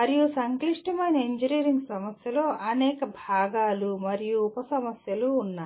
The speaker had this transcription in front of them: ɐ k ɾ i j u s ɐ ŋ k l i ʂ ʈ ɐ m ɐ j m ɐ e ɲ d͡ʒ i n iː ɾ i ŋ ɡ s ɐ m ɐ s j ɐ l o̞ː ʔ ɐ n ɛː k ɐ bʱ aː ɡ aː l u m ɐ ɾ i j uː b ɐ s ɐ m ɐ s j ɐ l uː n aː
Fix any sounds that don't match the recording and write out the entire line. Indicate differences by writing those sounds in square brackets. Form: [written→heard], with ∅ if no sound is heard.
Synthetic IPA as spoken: ɐ [k→∅] ɾ i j u s ɐ ŋ k l i ʂ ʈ ɐ m ɐ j [m→n] ɐ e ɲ d͡ʒ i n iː ɾ i ŋ ɡ s ɐ m ɐ s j ɐ l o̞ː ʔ ɐ n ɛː k ɐ bʱ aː ɡ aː l u m ɐ ɾ i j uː [b→p] ɐ s ɐ m ɐ s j ɐ l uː [n→nː] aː

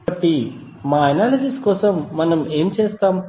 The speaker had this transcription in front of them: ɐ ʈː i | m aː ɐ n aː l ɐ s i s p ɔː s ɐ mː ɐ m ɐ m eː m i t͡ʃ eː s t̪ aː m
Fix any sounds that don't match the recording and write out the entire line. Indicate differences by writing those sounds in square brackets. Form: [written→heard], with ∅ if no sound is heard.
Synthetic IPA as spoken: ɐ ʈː i | m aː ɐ n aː l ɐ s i s [p→k] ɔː s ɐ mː ɐ [m→n] ɐ m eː m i t͡ʃ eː s t̪ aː m

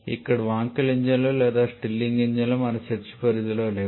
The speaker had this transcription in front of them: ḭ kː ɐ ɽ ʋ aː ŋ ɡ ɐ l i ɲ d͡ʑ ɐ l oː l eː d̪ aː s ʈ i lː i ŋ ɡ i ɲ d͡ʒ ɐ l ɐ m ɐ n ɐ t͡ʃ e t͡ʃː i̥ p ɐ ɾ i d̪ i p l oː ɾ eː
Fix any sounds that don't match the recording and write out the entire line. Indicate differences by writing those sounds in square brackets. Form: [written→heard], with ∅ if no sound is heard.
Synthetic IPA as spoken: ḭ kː ɐ ɽ ʋ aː ŋ [ɡ→k] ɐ l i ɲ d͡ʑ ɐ l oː l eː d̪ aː s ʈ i lː i ŋ ɡ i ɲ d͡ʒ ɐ l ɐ m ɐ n ɐ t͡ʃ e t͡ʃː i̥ p ɐ ɾ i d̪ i [p→∅] l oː [ɾ→l] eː

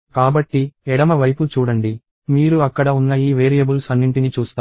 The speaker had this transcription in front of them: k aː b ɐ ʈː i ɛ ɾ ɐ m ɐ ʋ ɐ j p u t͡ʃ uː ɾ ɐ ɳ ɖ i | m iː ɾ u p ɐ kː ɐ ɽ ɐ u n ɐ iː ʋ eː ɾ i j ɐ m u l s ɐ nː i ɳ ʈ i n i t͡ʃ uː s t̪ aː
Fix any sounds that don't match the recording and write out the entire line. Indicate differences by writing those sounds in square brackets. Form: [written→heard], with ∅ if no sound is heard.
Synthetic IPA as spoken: k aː b ɐ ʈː i ɛ [ɾ→ɽ] ɐ m ɐ ʋ ɐ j p u t͡ʃ uː [ɾ→ɽ] ɐ ɳ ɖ i | m iː ɾ u [p→∅] ɐ kː ɐ ɽ ɐ u [n→nː] ɐ iː ʋ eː ɾ i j ɐ [m→b] u l s ɐ nː i ɳ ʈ i n i t͡ʃ uː s t̪ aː

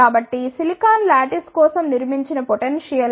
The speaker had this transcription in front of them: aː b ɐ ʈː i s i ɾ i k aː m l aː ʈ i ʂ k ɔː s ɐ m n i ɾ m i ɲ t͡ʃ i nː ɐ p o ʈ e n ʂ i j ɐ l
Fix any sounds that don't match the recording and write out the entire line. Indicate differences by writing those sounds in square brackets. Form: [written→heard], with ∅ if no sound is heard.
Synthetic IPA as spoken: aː b ɐ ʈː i s i [ɾ→l] i k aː [m→n] l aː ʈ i [ʂ→s] k ɔː s ɐ m n i ɾ m i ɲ t͡ʃ i [nː→n] ɐ p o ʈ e n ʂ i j ɐ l

